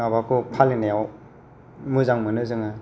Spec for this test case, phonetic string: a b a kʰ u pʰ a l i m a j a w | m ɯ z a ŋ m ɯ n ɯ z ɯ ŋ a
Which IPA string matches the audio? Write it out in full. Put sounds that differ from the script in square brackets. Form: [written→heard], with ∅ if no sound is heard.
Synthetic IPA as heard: a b a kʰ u pʰ a l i [m→n] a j a w | m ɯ z a ŋ m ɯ n ɯ z ɯ ŋ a

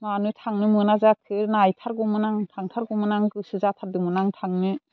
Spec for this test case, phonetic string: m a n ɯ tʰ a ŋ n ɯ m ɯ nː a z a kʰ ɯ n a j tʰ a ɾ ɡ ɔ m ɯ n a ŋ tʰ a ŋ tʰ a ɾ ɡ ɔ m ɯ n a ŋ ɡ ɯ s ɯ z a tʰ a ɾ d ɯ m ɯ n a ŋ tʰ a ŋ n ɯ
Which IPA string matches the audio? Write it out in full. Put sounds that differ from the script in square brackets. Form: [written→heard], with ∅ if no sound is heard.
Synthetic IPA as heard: m a n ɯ tʰ a ŋ n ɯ m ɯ [nː→n] a z a kʰ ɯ n a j tʰ a ɾ ɡ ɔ m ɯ n a ŋ tʰ a ŋ tʰ a ɾ ɡ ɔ m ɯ n a ŋ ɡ ɯ s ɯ z a tʰ a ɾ d ɯ m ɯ n a ŋ tʰ a ŋ n ɯ

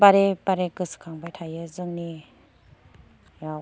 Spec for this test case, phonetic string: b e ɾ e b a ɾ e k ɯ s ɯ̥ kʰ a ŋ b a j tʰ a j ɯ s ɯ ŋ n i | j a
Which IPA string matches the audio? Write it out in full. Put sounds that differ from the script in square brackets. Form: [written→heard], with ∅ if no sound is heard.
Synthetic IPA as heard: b [e→a] ɾ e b a ɾ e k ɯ s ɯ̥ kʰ a ŋ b a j tʰ a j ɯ [s→z] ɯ ŋ n i | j a

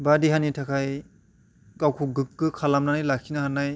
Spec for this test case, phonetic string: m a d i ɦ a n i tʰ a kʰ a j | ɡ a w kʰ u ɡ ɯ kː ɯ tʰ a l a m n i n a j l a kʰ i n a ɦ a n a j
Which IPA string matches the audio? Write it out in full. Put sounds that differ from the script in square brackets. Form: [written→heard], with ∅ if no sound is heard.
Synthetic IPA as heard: [m→b] a d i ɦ a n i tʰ a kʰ a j | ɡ a w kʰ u ɡ ɯ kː ɯ [tʰ→kʰ] a l a m n [i→a] n a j l a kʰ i n a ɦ a n a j

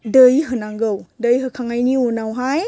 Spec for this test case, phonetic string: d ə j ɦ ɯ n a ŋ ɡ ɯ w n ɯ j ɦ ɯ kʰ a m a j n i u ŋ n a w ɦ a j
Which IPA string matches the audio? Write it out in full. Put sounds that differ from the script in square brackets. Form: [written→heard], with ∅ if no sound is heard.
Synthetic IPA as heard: d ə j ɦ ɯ n a ŋ ɡ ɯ w [n→d] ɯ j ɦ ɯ kʰ a [m→ŋ] a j n i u [ŋ→∅] n a w ɦ a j

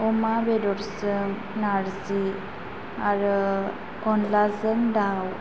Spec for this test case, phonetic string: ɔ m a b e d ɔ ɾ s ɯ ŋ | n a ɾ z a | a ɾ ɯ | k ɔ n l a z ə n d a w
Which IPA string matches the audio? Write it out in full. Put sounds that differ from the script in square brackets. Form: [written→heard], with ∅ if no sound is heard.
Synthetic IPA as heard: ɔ m a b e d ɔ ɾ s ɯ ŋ | n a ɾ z [a→i] | a ɾ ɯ | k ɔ n l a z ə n d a w

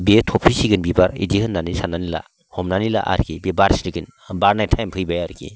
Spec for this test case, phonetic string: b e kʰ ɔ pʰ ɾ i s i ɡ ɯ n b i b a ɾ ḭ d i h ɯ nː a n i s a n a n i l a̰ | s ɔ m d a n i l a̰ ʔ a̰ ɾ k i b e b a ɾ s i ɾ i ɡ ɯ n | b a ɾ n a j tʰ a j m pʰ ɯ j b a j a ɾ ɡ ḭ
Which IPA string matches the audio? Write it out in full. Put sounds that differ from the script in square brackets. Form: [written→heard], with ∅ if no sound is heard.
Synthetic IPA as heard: b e [kʰ→tʰ] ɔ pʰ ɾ i s i ɡ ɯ n b i b a ɾ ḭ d i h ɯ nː a n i s a n a n i l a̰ | [s→h] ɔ m [d→n] a n i l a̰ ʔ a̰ ɾ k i b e b a ɾ s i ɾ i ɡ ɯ n | b a ɾ n a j tʰ a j m pʰ ɯ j b a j a ɾ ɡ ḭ

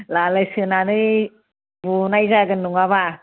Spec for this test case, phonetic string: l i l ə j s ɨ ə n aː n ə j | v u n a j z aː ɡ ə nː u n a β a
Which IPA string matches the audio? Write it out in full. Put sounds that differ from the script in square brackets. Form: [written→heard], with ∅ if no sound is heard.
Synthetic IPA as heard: l [i→a] l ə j s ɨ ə n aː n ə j | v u n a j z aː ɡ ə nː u [n→ŋ] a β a

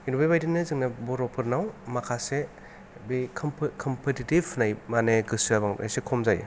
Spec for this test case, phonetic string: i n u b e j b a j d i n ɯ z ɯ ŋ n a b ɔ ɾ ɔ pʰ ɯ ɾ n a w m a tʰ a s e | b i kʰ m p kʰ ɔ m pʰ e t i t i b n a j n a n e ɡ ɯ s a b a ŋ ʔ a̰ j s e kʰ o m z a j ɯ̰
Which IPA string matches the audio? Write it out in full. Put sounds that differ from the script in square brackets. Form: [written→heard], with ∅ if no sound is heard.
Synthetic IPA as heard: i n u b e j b a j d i n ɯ z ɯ ŋ n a b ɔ ɾ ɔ pʰ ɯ ɾ n a w m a [tʰ→kʰ] a s e | b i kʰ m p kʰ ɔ m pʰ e t i t i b n a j [n→m] a n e ɡ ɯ s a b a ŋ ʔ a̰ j s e kʰ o m z a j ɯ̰

